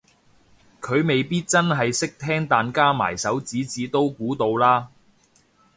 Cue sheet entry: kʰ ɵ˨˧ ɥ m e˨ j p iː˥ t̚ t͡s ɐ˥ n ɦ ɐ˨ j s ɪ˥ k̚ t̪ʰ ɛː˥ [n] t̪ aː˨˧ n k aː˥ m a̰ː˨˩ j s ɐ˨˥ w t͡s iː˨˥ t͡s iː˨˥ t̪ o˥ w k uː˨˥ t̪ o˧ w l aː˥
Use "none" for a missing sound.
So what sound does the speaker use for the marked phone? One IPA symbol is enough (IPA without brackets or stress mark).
ŋ